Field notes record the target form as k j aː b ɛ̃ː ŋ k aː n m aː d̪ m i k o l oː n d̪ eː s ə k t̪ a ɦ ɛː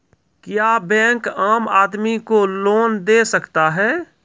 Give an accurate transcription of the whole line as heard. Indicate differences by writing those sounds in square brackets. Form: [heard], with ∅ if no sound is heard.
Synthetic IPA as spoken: k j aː b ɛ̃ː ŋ k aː [∅] m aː d̪ m i k o l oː n d̪ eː s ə k t̪ a ɦ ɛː